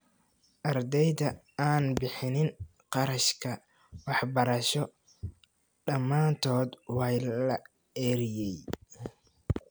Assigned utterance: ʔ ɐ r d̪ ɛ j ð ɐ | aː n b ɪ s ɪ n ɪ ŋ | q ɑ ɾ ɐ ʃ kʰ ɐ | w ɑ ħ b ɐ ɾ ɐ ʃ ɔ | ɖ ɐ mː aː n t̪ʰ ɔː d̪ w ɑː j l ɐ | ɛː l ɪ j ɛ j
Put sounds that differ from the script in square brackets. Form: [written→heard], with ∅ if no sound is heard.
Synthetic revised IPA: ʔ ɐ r d̪ ɛ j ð ɐ | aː n b ɪ [s→ħ] ɪ n ɪ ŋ | q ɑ ɾ ɐ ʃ kʰ ɐ | w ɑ ħ b ɐ ɾ ɐ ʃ ɔ | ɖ ɐ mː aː n t̪ʰ ɔː d̪ w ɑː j l ɐ | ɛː [l→ɾ] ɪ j ɛ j